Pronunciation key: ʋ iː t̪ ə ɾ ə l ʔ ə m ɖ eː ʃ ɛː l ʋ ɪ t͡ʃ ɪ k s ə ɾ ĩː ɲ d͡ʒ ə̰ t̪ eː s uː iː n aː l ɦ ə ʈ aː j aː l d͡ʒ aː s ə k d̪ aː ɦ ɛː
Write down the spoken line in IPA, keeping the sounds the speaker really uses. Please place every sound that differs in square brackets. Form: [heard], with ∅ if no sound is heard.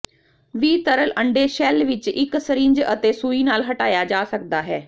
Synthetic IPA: ʋ iː t̪ ə ɾ ə l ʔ ə [ɳ] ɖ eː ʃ ɛː l ʋ ɪ t͡ʃ ɪ k s ə ɾ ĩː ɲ d͡ʒ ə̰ t̪ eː s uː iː n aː l ɦ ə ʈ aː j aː [∅] d͡ʒ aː s ə k d̪ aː ɦ ɛː